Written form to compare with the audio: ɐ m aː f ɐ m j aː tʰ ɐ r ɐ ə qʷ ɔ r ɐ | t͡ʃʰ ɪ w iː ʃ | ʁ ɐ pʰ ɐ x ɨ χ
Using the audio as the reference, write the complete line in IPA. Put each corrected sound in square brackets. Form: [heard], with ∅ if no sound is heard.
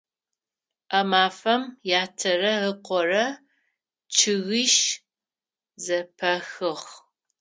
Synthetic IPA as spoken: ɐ m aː f ɐ m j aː tʰ ɐ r ɐ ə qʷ ɔ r ɐ | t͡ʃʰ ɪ [ɣ] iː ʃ | [z] ɐ pʰ ɐ x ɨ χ